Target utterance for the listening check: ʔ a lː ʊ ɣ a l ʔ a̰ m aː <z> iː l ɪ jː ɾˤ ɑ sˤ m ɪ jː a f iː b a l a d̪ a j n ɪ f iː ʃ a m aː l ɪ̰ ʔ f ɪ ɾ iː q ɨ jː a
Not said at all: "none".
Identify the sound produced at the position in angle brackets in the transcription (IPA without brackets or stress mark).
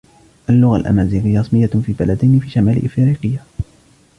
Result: z